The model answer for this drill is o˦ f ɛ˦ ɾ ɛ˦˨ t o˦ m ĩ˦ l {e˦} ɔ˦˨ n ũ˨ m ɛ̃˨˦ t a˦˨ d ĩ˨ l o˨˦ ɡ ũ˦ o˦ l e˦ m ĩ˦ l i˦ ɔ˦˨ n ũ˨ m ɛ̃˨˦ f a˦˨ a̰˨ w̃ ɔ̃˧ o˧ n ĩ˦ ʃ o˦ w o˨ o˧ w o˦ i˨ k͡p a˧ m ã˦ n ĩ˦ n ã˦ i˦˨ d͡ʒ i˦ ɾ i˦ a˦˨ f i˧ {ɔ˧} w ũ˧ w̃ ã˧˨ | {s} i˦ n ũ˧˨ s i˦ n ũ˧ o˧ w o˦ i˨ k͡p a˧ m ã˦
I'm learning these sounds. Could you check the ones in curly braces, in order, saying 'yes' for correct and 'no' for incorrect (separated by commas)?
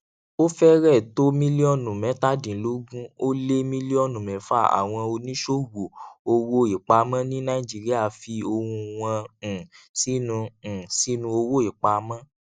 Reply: no, no, yes